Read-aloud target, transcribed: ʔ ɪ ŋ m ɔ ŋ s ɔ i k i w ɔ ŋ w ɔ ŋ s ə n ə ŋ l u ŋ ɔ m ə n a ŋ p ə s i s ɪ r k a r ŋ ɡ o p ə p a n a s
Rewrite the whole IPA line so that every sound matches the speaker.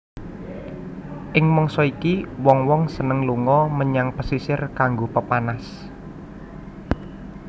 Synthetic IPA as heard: ʔ ɪ ŋ m ɔ ŋ s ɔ i k i w ɔ ŋ w ɔ ŋ s ə n ə ŋ l u ŋ ɔ m ə ɲ a ŋ p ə s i s ɪ r k a ŋ ɡ o p ə p a n a s